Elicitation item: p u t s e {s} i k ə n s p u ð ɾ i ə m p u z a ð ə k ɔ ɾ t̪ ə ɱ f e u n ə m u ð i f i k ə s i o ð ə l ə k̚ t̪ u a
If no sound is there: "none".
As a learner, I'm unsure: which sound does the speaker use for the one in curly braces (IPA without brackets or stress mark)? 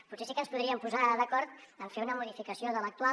s